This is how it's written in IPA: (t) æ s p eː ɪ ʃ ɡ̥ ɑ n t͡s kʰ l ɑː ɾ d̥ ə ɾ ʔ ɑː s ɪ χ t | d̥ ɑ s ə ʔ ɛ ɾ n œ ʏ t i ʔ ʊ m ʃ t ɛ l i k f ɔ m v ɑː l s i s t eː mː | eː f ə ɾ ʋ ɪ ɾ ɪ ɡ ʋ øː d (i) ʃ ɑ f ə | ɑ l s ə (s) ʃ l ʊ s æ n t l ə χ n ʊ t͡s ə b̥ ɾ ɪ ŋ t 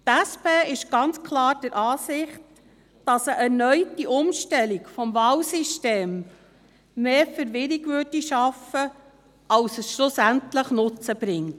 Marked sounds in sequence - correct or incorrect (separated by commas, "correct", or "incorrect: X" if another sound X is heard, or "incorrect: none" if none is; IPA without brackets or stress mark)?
correct, correct, correct